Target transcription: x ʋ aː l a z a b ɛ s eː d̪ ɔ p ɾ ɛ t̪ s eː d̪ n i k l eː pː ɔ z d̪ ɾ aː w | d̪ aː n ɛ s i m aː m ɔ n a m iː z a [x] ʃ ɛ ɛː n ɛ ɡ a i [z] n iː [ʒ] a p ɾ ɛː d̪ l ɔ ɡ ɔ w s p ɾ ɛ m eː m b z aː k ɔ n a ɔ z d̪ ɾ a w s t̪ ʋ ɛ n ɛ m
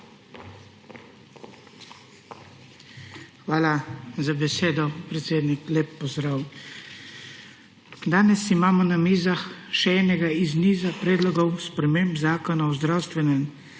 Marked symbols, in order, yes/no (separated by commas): yes, yes, no